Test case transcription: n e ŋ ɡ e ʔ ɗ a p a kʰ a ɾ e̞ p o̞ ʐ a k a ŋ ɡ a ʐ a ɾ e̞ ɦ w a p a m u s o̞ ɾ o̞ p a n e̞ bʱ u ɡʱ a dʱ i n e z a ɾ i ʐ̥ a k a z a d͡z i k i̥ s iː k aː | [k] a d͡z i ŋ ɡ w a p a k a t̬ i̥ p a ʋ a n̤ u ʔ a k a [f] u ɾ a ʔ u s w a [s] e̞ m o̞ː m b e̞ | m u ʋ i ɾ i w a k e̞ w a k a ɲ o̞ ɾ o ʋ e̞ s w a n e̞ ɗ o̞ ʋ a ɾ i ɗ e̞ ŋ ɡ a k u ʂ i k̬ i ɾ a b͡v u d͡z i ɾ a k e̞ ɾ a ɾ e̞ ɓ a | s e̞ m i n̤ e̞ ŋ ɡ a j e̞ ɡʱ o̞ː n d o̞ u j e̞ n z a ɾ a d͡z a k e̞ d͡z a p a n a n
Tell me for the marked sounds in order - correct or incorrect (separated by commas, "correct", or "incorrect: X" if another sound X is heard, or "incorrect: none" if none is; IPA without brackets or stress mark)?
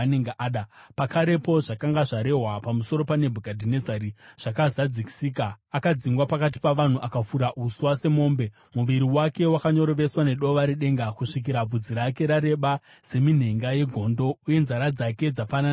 correct, correct, correct